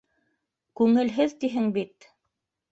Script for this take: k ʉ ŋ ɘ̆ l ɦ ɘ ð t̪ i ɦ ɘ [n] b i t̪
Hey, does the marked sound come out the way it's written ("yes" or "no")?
no